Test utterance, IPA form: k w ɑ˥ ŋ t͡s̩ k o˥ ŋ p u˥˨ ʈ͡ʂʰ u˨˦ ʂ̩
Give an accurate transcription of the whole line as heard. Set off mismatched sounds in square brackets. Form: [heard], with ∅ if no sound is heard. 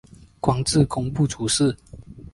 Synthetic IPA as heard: k w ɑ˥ ŋ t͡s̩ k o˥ ŋ p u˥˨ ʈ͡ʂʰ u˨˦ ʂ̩